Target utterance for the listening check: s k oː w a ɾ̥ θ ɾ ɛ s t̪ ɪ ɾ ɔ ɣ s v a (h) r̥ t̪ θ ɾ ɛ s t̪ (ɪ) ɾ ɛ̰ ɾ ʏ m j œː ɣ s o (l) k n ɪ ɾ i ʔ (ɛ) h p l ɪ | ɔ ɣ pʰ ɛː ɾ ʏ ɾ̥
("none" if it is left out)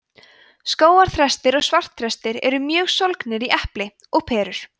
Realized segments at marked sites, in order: none, ɪ, l, ɛ

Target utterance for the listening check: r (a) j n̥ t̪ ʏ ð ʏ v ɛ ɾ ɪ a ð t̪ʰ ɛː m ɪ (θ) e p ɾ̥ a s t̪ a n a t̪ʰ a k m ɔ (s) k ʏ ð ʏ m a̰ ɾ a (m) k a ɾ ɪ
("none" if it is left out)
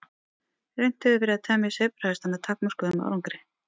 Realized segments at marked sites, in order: e, s, s, ŋ

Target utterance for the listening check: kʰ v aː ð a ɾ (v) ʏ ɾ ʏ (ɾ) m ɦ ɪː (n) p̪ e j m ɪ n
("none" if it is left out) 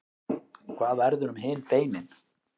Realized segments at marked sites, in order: ð, none, n

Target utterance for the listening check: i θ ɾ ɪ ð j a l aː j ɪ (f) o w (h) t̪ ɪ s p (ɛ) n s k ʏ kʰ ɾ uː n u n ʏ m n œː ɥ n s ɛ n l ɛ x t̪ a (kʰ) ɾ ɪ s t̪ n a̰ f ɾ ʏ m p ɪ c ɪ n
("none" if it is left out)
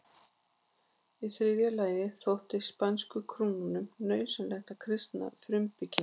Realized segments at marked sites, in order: θ, h, a, kʰ

